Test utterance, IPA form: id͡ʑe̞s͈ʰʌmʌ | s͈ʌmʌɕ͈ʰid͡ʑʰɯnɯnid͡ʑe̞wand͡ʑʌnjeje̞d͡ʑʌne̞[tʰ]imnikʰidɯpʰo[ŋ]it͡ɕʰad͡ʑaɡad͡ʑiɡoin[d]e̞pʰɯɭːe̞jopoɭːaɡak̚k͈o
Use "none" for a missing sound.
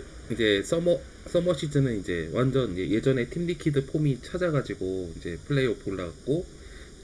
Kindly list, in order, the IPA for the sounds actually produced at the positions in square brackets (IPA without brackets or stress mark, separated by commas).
tʰ, m, d͡ʑ